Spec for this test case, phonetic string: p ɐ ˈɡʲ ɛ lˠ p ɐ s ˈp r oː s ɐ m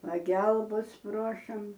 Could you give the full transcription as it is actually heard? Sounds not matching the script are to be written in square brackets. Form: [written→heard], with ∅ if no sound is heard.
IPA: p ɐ ˈɡʲ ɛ lˠ [p→b] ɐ s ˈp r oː [s→ʃ] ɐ m